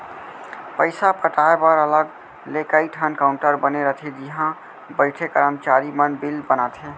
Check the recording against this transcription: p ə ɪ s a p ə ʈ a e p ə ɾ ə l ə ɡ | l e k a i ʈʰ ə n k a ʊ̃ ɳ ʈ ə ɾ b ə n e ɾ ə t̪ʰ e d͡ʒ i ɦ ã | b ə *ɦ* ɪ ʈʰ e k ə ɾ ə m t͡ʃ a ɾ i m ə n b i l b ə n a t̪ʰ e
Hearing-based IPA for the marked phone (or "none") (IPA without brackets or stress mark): none